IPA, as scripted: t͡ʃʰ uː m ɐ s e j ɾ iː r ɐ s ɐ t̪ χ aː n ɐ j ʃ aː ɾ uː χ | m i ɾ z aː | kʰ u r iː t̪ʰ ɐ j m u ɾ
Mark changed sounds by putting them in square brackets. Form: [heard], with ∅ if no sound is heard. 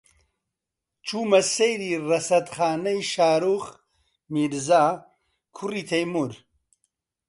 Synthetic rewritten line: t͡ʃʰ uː m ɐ s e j ɾ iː r ɐ s ɐ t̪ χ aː n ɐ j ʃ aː ɾ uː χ | m i ɾ z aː | kʰ u r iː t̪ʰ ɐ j m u ɾ